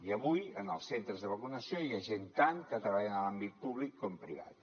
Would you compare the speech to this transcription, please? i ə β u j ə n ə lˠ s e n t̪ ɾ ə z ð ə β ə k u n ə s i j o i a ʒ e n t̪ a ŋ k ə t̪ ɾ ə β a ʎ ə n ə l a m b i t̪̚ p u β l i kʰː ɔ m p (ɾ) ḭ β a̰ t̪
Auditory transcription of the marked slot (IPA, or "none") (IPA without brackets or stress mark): ɾ